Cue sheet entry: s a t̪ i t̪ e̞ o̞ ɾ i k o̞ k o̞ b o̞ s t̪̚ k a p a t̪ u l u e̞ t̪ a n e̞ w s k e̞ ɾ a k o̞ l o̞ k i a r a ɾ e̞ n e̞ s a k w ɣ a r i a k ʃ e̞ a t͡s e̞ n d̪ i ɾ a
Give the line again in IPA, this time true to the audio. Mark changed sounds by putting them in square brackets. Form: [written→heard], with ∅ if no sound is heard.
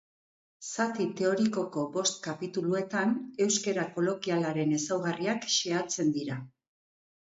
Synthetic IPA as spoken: s a t̪ i t̪ e̞ o̞ ɾ i k o̞ k o̞ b o̞ s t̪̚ k a p [a→i] t̪ u l u e̞ t̪ a n e̞ w s k e̞ ɾ a k o̞ l o̞ k i a [r→l] a ɾ e̞ n e̞ s a [k→∅] w ɣ a r i a k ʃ e̞ a t͡s e̞ n d̪ i ɾ a